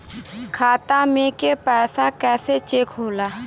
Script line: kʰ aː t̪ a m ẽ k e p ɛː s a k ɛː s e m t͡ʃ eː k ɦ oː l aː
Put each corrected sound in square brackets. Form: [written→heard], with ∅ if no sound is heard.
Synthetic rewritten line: kʰ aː t̪ a m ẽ k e p ɛː s a k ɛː s e [m→∅] t͡ʃ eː k ɦ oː l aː